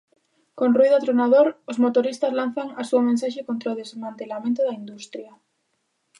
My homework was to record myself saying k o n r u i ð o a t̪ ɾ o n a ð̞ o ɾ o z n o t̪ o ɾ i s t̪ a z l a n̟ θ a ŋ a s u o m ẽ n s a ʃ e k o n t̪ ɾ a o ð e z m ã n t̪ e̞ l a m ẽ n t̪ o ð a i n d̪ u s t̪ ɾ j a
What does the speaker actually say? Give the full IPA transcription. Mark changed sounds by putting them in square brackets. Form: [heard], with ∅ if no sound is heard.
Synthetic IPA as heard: k o n r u i ð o a t̪ ɾ o n a ð̞ o ɾ o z [m] o t̪ o ɾ i s t̪ a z l a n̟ θ a ŋ a s u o m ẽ n s a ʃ e k o n t̪ ɾ a o ð e z m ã n t̪ e̞ l a m ẽ n t̪ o ð a i n d̪ u s t̪ ɾ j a